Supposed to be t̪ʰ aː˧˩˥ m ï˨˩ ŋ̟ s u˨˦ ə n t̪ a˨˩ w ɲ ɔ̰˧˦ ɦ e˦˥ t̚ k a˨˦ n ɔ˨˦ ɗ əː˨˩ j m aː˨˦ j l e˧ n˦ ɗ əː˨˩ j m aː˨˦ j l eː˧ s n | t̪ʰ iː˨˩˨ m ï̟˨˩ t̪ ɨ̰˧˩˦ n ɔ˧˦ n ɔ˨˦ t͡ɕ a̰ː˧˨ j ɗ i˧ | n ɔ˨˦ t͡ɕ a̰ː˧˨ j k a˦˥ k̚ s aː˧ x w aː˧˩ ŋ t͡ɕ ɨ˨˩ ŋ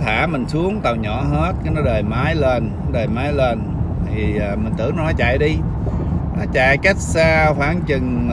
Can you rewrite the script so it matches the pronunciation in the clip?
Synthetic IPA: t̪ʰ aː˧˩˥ m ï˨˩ ŋ̟ s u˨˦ ə ŋ t̪ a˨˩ w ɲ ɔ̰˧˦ ɦ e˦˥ t̚ k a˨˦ n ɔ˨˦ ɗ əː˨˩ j m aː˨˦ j l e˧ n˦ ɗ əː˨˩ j m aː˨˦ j l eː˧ n | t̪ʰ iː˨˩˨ m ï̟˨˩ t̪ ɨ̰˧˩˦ n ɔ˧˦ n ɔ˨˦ t͡ɕ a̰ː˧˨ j ɗ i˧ | n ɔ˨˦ t͡ɕ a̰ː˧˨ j k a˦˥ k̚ s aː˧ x w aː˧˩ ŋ t͡ɕ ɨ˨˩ ŋ